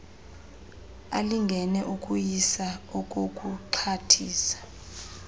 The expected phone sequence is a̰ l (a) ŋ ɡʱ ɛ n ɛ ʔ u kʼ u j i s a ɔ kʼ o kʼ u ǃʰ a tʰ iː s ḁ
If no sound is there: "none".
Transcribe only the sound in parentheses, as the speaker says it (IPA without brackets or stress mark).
i